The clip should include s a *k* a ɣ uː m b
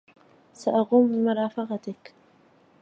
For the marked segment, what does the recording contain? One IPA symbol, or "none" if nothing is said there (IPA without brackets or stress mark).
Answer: ʔ